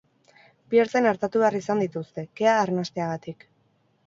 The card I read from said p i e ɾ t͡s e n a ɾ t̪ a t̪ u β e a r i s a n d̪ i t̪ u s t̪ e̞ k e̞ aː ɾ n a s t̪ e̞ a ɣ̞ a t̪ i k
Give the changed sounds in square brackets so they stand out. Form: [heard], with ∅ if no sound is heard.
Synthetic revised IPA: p i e ɾ t͡s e n a ɾ t̪ a t̪ u β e a r i s a n d̪ i t̪ u s t̪ e̞ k e̞ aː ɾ n a s t̪ e̞ a ɣ̞ a t̪ i k